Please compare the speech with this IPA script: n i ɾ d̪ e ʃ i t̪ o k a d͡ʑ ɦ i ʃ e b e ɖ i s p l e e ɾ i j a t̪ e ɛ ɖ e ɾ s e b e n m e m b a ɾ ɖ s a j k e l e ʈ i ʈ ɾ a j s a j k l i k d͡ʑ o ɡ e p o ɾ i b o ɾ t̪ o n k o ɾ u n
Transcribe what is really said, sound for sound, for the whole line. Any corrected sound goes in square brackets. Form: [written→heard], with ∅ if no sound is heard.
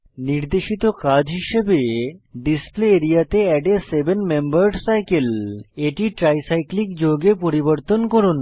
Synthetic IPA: n i ɾ d̪ e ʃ i t̪ o k a d͡ʑ ɦ i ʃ e b e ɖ i s p l e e ɾ i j a t̪ e ɛ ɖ e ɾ s e b e n m e m b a ɾ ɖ s a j k e l e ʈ i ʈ ɾ a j s a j k l i k d͡ʑ o ɡ e p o ɾ i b o ɾ t̪ o n k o ɾ u n